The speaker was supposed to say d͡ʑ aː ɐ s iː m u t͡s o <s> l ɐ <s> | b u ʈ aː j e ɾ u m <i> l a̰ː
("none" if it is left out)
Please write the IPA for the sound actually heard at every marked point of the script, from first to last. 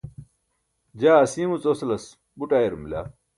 s, s, i

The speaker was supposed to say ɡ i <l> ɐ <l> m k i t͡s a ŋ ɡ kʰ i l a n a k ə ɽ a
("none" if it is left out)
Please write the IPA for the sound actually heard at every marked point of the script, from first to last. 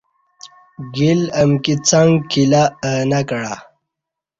l, none

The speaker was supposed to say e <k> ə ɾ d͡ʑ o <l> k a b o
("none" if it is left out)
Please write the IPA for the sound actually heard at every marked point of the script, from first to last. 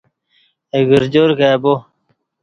ɡ, ɾ

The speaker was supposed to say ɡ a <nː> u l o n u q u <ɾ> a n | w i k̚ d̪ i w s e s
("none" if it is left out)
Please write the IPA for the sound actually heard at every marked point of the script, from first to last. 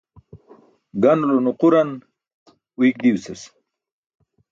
n, ɾ

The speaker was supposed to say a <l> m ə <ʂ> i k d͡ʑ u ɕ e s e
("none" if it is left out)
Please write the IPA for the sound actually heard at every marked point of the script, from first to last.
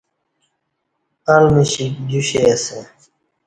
l, ɕ

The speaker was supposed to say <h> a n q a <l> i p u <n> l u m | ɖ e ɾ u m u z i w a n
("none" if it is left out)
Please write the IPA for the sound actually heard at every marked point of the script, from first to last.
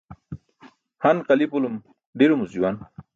h, l, none

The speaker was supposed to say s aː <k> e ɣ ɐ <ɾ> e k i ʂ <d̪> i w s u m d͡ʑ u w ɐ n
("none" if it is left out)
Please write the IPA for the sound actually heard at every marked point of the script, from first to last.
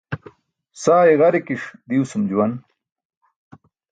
none, ɾ, d̪

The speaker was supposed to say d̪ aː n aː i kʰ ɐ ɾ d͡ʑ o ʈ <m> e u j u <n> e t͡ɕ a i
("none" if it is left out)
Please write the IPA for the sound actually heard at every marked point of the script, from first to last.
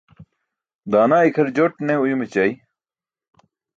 n, m

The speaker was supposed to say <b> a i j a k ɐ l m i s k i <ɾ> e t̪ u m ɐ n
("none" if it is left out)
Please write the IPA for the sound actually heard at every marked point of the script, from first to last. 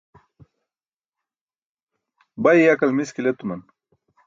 b, l

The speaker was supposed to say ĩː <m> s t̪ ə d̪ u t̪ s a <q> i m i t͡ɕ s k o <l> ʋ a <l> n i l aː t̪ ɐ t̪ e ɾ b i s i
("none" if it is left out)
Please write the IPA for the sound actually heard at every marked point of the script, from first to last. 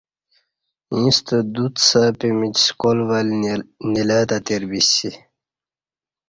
none, p, l, l

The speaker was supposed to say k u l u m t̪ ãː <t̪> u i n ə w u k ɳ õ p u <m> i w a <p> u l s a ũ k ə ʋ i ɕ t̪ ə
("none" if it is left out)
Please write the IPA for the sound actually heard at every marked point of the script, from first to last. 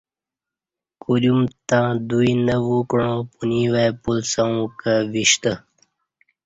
d̪, n, p

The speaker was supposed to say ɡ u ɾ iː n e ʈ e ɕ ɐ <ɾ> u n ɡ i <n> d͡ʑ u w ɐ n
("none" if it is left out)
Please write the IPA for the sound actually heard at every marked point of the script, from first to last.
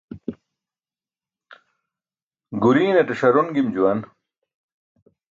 ɾ, m

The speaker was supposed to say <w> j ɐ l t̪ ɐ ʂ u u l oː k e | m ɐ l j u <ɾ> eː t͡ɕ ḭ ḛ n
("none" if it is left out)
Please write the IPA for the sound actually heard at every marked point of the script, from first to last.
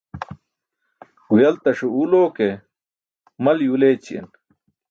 w, l

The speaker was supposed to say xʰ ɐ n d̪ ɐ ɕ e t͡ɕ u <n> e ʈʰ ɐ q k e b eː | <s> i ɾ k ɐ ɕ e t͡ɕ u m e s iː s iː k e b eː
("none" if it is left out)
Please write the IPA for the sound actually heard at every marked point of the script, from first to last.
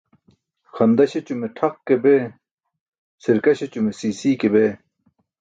m, s

